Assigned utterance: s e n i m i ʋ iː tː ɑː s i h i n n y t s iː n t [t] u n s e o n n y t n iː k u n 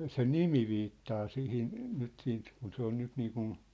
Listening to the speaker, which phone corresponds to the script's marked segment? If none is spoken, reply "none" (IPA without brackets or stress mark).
k